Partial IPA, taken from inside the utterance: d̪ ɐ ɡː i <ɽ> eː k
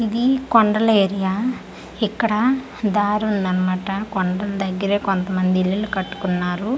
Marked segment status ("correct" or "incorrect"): incorrect